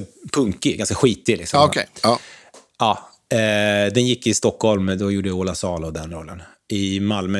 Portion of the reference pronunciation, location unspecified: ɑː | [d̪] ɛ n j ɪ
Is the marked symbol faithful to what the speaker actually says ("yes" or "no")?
yes